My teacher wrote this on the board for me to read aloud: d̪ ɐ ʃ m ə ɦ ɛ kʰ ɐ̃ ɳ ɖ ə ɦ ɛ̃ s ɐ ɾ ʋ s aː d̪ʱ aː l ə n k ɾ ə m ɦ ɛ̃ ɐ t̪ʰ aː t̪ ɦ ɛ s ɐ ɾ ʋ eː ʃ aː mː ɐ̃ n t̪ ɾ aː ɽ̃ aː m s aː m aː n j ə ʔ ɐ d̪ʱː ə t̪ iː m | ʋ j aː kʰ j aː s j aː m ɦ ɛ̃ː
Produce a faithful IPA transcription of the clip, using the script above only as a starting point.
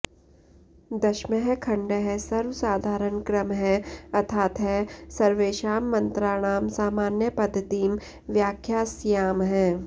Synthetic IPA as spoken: d̪ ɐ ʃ m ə ɦ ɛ kʰ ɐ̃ ɳ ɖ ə ɦ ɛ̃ s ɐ ɾ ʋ s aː d̪ʱ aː ɾ ə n k ɾ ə m ɦ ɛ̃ ɐ t̪ʰ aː t̪ ɦ ɛ s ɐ ɾ ʋ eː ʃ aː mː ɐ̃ n t̪ ɾ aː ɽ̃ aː m s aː m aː n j ə p ɐ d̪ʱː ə t̪ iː m | ʋ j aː kʰ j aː s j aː m ɦ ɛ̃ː